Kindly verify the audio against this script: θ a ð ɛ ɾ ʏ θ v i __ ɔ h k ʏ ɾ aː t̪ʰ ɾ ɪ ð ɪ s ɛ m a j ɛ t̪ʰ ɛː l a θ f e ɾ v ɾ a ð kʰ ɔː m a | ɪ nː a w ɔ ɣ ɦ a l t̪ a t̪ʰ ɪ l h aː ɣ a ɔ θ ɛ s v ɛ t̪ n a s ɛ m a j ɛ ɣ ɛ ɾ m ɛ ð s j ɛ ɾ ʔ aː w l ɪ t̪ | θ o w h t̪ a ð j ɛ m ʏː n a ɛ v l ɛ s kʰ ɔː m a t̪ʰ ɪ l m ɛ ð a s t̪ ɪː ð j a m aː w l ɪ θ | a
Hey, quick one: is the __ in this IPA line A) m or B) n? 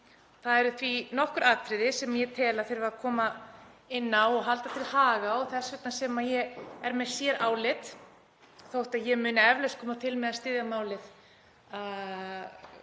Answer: B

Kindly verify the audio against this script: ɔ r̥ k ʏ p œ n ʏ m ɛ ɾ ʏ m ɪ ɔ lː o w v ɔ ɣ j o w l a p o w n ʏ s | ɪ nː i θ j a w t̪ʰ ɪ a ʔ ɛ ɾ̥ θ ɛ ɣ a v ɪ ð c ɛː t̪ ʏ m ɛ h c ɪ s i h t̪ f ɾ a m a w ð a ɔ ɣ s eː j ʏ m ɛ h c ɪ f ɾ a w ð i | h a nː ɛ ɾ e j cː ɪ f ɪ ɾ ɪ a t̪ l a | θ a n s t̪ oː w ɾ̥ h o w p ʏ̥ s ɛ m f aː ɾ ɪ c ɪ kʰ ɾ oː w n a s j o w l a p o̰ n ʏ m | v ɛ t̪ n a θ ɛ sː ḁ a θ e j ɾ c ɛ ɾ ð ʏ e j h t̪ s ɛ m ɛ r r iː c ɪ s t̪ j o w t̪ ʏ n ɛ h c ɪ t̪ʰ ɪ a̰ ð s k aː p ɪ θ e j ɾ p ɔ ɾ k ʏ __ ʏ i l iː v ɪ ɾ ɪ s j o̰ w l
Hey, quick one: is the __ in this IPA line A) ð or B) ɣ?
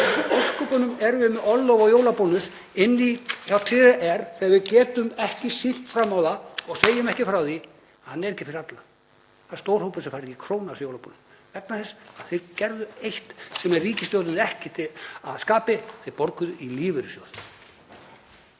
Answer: A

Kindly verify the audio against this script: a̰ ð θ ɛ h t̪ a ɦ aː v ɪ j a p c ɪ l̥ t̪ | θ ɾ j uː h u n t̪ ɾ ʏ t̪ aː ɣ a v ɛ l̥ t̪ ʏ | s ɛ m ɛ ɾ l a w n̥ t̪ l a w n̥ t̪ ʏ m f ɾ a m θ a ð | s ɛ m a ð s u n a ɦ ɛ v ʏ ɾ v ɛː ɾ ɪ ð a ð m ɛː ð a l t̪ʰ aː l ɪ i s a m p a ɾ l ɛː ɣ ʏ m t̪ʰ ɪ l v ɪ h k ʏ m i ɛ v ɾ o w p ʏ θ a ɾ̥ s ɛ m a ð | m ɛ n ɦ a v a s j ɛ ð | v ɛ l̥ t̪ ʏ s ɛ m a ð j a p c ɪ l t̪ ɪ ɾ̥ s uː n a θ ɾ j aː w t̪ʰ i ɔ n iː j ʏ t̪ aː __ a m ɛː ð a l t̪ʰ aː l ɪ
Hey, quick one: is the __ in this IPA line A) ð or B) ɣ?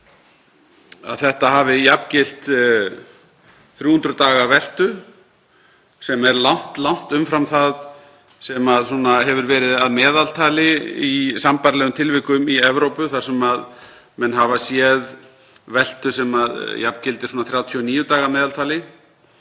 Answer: B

